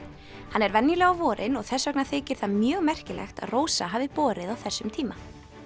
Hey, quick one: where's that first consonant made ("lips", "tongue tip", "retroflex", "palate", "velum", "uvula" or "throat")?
throat